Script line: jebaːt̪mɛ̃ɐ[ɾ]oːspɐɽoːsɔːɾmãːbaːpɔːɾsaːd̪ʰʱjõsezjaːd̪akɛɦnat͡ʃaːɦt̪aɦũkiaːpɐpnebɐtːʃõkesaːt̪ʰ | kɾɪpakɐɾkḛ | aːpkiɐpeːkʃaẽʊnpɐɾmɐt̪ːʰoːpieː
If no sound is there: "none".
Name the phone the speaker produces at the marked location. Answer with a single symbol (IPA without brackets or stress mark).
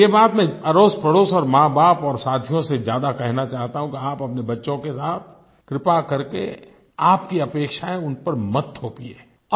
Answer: ɾ